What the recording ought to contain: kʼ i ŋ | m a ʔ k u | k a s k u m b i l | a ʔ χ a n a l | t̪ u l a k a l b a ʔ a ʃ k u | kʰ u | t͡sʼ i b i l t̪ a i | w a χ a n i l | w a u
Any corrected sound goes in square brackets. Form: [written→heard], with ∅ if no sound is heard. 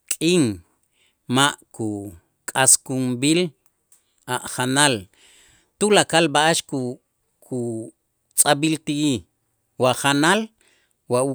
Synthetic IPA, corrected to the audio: kʼ i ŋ | m a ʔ k u | [k→kʼ] a s k u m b i l | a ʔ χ a n a l | t̪ u l a k a l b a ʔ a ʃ k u | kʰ u | t͡sʼ [i→a] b i l t̪ [a→i] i | w a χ a n [i→a] l | w a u

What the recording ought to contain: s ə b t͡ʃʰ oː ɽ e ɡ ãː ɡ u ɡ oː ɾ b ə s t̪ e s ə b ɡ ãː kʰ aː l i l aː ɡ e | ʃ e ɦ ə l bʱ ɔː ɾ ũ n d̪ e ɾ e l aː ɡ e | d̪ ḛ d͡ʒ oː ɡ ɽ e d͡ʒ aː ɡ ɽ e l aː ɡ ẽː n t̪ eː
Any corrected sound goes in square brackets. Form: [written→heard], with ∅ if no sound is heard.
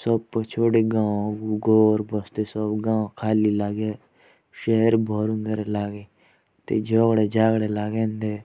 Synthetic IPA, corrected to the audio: s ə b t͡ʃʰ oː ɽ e ɡ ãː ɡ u ɡ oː ɾ b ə s t̪ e s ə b ɡ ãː kʰ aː l i l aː ɡ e | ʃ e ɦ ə [l→ɾ] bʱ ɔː ɾ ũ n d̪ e ɾ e l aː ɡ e | [d̪→t̪] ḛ d͡ʒ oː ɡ ɽ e d͡ʒ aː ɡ ɽ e l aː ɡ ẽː n [t̪→d̪] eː

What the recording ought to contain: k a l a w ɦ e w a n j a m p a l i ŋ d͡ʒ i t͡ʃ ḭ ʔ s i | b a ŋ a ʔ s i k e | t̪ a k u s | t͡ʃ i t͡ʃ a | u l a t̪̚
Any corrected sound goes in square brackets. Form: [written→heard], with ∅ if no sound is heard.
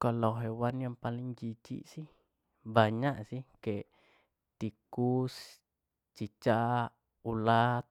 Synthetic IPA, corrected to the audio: k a l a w ɦ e w a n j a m p a l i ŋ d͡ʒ i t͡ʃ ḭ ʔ s i | b a [ŋ→ɲ] a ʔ s i k e | t̪ [a→i] k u s | t͡ʃ i t͡ʃ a | u l a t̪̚

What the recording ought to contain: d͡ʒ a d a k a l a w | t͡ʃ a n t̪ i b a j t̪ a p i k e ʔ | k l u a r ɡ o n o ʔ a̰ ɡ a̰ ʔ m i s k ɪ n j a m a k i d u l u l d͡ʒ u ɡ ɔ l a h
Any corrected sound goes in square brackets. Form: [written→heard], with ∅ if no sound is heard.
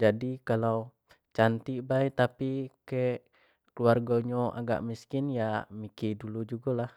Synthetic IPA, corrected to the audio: d͡ʒ a d [a→i] k a l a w | t͡ʃ a n t̪ i b a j t̪ a p i k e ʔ | k l u a r ɡ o [n→ɲ] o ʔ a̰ ɡ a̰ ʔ m i s k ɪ n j a m [a→i] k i d u l u [l→∅] d͡ʒ u ɡ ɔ l a h

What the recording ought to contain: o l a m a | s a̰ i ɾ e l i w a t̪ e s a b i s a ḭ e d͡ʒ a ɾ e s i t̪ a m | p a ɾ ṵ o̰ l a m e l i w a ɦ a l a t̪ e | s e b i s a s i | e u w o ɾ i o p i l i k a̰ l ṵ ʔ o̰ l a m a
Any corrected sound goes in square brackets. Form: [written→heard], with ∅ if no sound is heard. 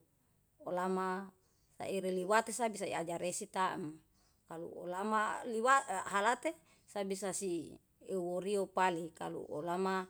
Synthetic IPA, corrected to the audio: o l a m a | s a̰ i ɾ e l i w a t̪ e s a b i s a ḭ [e→a] d͡ʒ a ɾ e s i t̪ a m | [p→k] a [ɾ→l] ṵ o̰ l a m [e→a] l i w a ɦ a l a t̪ e | s [e→a] b i s a s i | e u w o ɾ i o p [i→a] l i k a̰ l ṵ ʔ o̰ l a m a

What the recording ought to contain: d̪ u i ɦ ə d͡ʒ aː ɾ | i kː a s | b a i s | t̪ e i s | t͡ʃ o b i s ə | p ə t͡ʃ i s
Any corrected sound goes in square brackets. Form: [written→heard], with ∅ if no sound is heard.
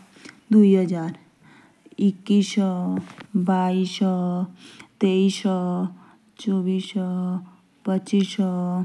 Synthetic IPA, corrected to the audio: d̪ u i ɦ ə d͡ʒ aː ɾ | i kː [a→i] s | b a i s | t̪ e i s | t͡ʃ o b i s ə | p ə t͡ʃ i s

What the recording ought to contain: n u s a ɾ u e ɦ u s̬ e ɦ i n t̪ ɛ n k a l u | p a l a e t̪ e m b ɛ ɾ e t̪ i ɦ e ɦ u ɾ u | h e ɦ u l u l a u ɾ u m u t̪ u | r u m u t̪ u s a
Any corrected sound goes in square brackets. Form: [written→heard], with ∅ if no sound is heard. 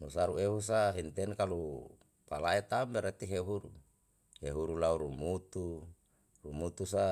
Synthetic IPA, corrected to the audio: n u s a ɾ u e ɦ u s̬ [e→a] ɦ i n t̪ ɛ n k a l u | p a l a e t̪ [e→a] m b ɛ ɾ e t̪ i ɦ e ɦ u ɾ u | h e ɦ u [l→ɾ] u l a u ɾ u m u t̪ u | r u m u t̪ u s a

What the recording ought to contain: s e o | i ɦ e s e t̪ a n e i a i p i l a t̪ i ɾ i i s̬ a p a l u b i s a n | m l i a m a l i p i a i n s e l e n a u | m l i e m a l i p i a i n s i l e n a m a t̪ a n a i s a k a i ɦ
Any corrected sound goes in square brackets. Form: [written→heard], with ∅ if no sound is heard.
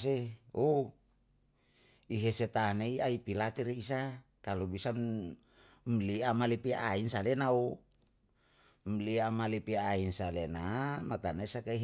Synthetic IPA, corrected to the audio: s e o | i ɦ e s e t̪ a n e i a i p i l a t̪ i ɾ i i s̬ a [p→k] a l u b i s a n | m l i a m a l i p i a i n s [e→a] l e n a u | m l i [e→a] m a l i p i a i n s [i→a] l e n a m a t̪ a n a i s a k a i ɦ

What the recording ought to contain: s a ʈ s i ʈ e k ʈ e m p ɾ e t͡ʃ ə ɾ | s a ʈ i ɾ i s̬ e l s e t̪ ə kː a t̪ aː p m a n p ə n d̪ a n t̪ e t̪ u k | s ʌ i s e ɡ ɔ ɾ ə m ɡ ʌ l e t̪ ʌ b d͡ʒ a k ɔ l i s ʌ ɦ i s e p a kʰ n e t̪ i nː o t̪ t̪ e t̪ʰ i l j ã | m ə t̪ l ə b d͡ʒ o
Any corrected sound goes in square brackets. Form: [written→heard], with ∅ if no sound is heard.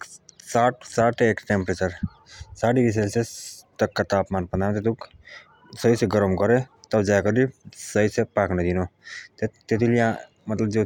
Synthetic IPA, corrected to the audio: s a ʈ s [i→a] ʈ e k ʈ e m p ɾ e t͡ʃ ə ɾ | s a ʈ i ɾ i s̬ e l s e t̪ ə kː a t̪ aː p m a n p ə n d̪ a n t̪ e t̪ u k | s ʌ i s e ɡ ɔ ɾ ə m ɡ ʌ [l→ɾ] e t̪ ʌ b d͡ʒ a k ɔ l i s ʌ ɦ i s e p a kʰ n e [t̪→d̪] i [nː→n] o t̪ t̪ e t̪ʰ i l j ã | m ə t̪ l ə b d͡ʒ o

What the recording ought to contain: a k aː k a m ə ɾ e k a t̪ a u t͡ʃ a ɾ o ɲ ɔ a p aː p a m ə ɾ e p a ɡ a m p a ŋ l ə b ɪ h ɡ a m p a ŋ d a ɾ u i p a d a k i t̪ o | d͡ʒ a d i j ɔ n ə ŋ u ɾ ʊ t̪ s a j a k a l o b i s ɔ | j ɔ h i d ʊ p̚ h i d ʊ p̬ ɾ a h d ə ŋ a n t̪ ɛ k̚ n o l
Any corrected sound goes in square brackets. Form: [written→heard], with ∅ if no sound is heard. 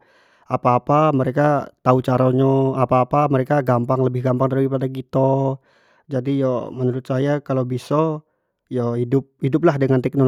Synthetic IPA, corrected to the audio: a [k→p] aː [k→p] a m ə ɾ e k a t̪ a u t͡ʃ a ɾ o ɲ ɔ a p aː p a m ə ɾ e [p→k] a ɡ a m p a ŋ l ə b ɪ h ɡ a m p a ŋ d a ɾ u i p a d a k i t̪ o | d͡ʒ a d i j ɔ [n→m] ə [ŋ→n] u ɾ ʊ t̪ s a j a k a l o b i s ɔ | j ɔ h i d ʊ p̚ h i d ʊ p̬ [ɾ→l] a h d ə ŋ a n t̪ ɛ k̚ n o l

